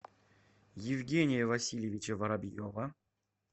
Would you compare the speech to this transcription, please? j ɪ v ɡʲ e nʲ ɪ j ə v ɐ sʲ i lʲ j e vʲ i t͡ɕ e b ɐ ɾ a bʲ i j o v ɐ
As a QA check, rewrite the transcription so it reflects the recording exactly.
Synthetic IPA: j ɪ v ɡʲ e nʲ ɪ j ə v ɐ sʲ i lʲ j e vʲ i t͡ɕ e v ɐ ɾ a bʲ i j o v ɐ